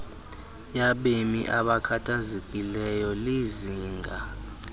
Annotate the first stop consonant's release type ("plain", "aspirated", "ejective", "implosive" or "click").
implosive